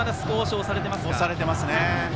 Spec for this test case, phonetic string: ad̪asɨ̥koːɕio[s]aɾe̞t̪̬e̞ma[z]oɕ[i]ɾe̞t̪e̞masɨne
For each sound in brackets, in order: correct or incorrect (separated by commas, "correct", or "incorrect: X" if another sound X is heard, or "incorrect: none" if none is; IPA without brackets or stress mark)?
correct, incorrect: s, incorrect: a